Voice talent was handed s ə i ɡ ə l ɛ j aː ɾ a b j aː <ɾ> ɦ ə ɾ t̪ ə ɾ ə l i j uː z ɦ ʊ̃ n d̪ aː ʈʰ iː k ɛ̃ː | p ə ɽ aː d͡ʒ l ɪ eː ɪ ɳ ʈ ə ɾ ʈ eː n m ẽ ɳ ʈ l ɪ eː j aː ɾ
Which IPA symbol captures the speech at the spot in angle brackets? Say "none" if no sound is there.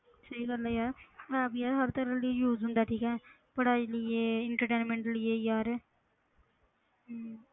ɾ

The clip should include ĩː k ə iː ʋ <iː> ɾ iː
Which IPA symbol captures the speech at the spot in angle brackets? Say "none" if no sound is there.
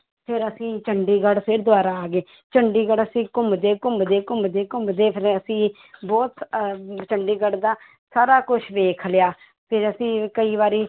aː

